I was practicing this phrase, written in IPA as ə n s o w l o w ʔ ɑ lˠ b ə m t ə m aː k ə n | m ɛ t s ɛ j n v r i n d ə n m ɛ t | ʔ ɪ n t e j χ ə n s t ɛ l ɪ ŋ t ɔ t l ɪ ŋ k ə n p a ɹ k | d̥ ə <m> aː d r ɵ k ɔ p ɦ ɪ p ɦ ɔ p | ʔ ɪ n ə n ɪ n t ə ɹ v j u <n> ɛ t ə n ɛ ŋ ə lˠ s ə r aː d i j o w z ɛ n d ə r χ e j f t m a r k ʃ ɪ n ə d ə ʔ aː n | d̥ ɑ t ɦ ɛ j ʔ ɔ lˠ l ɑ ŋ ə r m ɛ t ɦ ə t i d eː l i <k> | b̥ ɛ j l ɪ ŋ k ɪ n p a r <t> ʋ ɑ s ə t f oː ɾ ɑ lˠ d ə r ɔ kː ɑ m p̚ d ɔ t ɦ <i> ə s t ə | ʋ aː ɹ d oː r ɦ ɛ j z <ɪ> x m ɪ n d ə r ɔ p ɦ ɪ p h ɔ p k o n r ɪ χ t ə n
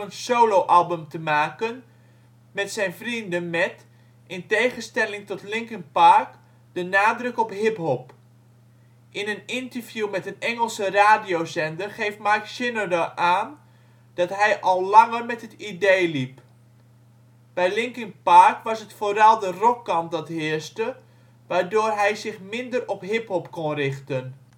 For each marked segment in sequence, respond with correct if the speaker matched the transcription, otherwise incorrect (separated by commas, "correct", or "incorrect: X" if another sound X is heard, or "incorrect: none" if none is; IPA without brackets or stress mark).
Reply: incorrect: n, incorrect: m, incorrect: p, incorrect: k, incorrect: ɪ, correct